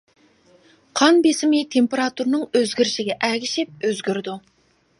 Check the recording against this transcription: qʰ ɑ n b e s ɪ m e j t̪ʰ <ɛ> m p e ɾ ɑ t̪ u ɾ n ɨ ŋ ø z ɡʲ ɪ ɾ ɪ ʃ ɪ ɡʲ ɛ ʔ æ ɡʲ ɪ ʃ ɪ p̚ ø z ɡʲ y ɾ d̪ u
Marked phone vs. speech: incorrect: e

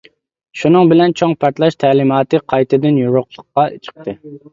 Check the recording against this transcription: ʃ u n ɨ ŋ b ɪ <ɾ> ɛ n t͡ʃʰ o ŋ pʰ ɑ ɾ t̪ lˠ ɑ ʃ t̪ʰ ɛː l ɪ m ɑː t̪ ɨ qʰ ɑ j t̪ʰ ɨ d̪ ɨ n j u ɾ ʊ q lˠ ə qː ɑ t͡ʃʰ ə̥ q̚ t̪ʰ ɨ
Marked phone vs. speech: incorrect: l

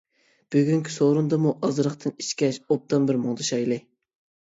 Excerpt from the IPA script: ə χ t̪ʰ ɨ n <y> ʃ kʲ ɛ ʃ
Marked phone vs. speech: incorrect: i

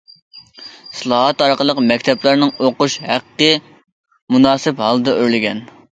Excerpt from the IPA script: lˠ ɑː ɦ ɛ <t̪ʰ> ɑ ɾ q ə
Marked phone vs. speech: incorrect: t̪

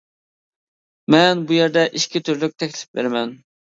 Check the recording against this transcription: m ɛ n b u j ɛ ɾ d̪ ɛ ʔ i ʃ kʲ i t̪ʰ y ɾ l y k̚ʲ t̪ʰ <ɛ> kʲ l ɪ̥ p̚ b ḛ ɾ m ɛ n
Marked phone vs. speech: correct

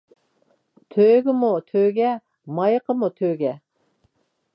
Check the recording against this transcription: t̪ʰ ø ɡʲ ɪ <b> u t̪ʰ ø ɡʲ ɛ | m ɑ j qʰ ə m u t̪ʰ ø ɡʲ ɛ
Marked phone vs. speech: incorrect: m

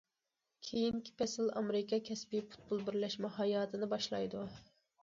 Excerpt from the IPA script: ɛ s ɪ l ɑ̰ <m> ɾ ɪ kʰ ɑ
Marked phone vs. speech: correct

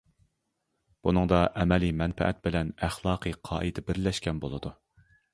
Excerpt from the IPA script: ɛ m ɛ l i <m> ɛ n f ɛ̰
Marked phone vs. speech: correct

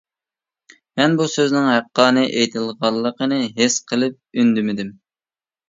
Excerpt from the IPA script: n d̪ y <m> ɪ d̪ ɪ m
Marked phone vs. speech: correct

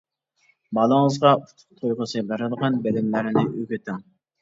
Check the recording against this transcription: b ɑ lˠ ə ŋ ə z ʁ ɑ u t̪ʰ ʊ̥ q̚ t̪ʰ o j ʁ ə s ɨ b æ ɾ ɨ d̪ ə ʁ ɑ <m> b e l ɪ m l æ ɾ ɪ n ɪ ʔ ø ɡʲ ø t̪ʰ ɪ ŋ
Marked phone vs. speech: incorrect: n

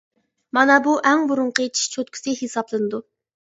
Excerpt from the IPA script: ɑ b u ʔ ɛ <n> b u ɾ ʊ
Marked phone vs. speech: incorrect: ŋ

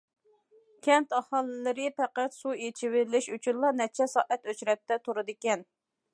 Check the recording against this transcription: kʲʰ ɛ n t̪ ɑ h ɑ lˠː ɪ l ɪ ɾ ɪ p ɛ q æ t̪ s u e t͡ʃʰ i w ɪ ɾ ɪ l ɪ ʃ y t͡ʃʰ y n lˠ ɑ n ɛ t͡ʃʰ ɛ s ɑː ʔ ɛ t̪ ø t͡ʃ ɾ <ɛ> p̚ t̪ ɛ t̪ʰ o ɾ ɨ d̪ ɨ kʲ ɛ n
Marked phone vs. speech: correct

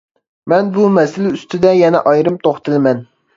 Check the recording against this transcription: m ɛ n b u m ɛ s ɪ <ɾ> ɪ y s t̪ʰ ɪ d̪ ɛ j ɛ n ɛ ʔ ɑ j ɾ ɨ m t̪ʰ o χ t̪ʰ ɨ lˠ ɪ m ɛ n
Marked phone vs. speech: incorrect: l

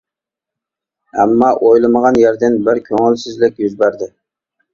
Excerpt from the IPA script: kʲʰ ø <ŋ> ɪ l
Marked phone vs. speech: correct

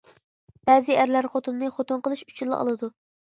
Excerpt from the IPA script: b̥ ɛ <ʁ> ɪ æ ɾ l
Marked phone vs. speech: incorrect: z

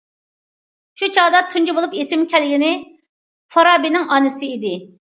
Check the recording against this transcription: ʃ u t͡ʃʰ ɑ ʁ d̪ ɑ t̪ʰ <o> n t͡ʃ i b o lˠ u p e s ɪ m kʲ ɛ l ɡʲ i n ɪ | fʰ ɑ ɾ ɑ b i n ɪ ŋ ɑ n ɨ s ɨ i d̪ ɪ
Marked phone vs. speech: incorrect: u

